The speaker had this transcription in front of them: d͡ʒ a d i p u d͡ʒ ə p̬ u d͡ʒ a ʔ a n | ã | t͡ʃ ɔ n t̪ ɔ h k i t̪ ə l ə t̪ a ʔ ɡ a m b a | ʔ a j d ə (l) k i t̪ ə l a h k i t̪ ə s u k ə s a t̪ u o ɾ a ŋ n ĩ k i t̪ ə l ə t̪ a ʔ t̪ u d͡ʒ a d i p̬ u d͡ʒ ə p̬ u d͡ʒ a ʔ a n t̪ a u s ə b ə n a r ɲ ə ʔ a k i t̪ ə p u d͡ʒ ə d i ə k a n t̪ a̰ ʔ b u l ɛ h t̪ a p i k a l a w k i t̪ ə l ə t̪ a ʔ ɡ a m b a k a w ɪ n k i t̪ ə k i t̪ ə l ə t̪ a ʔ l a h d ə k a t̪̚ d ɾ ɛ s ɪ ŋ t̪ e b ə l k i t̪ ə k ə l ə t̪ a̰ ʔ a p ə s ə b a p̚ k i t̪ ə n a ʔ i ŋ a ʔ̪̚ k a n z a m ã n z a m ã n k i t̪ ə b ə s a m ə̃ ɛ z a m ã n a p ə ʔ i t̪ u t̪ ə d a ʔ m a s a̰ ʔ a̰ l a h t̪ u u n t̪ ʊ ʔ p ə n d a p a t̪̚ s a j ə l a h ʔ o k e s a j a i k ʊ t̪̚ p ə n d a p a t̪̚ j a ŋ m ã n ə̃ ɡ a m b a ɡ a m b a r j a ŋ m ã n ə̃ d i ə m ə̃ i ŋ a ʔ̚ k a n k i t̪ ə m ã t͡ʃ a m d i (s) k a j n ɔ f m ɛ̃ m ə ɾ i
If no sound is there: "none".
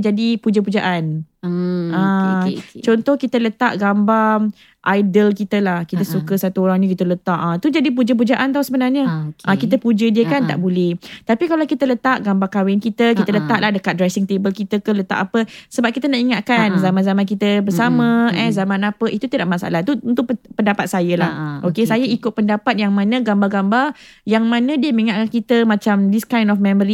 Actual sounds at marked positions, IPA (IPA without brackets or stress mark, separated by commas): l, s